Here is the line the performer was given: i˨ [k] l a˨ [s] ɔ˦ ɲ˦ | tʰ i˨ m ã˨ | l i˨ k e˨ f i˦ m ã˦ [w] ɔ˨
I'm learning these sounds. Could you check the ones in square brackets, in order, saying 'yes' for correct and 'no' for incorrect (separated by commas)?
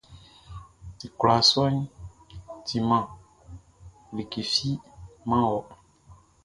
yes, yes, yes